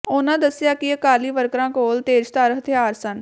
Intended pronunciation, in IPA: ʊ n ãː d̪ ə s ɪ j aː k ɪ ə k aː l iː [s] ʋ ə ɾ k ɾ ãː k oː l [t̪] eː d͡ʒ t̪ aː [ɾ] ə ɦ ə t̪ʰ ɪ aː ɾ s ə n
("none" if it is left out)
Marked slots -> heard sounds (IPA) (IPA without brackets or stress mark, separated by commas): none, t̪, ɾ